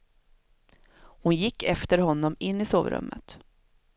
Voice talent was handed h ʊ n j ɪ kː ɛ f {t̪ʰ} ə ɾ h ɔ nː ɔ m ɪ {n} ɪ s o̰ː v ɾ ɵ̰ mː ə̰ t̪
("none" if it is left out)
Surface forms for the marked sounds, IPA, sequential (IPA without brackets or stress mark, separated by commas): t̪, nː